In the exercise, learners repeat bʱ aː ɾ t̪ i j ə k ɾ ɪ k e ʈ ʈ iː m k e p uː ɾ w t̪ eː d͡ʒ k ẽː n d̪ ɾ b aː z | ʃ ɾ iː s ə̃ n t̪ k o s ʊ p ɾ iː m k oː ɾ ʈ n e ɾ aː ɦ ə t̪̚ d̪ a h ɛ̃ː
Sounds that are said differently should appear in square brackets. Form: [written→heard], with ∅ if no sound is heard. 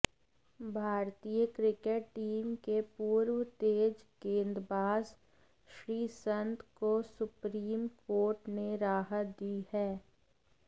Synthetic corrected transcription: bʱ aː ɾ t̪ i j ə k ɾ ɪ k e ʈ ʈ iː m k e p uː ɾ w t̪ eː d͡ʒ k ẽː n d̪ ɾ b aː z | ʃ ɾ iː s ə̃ n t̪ k o s ʊ p ɾ iː m k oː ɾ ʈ n e ɾ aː ɦ ə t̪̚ d̪ [a→i] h [ɛ̃ː→ɛː]